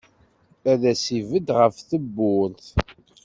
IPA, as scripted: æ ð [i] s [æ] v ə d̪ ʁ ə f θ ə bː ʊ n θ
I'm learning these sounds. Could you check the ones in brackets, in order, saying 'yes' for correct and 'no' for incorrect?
no, no

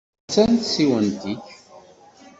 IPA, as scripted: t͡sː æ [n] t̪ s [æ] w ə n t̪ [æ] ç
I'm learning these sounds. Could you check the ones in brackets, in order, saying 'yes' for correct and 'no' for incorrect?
yes, no, no

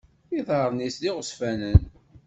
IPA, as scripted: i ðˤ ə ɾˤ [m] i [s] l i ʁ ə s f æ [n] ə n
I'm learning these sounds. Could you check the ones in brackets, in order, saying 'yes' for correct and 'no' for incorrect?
no, yes, yes

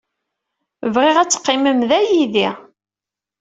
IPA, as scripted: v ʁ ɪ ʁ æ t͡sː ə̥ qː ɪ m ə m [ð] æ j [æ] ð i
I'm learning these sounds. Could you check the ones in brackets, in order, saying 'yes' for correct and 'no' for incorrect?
yes, no

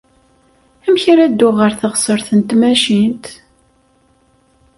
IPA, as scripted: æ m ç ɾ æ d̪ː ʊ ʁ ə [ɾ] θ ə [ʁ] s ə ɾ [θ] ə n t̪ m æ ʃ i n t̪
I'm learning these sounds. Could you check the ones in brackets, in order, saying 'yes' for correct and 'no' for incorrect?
yes, yes, yes

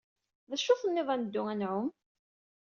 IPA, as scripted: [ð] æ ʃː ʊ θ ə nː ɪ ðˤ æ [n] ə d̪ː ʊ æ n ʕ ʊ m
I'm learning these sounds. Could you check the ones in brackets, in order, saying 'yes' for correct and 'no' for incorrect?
yes, yes

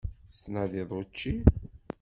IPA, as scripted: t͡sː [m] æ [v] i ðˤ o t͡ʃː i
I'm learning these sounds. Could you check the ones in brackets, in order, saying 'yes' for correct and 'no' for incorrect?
no, no

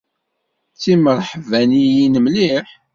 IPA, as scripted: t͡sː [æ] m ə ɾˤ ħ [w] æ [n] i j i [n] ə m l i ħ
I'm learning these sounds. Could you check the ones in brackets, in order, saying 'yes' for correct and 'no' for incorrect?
no, no, yes, yes

